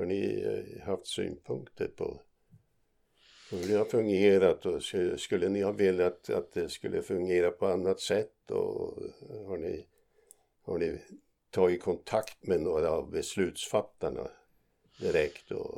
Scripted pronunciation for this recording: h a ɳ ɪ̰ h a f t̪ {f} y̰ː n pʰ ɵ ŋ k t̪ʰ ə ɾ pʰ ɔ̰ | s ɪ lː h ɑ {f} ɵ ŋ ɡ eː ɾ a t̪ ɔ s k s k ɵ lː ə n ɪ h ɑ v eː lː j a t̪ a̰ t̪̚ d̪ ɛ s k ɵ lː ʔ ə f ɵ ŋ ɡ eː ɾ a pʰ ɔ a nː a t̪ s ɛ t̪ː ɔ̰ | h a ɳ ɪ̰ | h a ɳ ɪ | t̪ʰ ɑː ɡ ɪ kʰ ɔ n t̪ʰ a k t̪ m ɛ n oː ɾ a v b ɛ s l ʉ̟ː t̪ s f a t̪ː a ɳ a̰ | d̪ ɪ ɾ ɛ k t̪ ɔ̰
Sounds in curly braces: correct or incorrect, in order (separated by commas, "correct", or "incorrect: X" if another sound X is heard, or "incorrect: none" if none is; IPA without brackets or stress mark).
incorrect: s, correct